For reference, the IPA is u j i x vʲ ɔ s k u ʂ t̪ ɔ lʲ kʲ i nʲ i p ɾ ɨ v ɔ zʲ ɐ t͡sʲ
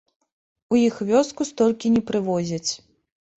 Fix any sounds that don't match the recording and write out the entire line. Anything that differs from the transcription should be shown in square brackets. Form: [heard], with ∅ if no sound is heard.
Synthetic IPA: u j i x vʲ ɔ s k u [s] t̪ ɔ lʲ kʲ i nʲ [ɛ] p ɾ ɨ v ɔ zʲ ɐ t͡sʲ